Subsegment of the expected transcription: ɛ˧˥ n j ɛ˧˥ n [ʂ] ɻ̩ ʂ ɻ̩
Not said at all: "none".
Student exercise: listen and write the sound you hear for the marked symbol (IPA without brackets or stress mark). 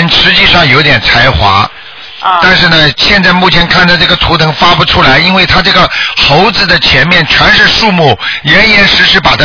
ʂ